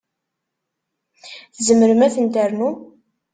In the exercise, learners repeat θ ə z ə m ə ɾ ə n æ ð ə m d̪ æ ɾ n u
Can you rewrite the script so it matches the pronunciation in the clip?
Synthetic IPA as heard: θ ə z ə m ə ɾ ə m æ θ ə n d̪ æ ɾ n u